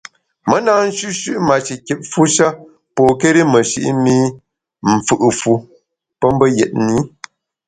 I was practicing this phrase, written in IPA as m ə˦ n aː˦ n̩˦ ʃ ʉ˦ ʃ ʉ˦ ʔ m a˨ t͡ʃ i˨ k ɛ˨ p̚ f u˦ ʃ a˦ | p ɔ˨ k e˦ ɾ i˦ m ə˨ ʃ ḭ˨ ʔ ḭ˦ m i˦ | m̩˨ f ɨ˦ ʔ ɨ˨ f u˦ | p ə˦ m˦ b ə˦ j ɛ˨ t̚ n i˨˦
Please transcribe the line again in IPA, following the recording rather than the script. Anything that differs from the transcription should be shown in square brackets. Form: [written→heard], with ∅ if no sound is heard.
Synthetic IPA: m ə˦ n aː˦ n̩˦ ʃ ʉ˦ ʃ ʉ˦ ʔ m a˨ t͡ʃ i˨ k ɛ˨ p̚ f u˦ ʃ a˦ | p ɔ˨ k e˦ ɾ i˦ m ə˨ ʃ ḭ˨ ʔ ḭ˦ m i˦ | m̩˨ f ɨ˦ ʔ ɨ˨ f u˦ | p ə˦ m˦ b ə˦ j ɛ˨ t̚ n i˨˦